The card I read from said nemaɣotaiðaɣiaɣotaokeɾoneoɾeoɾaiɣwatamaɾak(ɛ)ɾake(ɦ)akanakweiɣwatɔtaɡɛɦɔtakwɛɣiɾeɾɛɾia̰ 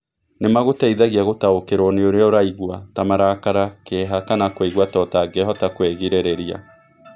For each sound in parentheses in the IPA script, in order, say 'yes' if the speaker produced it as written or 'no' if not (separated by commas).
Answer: no, yes